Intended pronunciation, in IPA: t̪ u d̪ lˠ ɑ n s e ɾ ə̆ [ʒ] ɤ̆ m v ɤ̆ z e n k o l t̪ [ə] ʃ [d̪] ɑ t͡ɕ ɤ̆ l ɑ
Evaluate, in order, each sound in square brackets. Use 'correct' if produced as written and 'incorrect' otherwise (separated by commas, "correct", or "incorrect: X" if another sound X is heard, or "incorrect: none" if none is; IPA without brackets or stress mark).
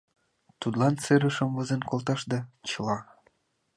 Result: incorrect: ʃ, incorrect: ɑ, correct